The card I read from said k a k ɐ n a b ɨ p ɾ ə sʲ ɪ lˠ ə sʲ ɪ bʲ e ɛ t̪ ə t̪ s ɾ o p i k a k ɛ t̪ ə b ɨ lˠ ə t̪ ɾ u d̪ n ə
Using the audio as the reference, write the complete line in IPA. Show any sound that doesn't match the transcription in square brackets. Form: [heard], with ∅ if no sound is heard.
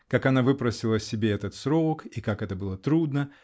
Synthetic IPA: k a k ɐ n a [v] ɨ p ɾ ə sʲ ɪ lˠ ə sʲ ɪ bʲ e ɛ t̪ ə t̪ s ɾ o [k] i k a k ɛ t̪ ə b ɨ lˠ ə t̪ ɾ u d̪ n ə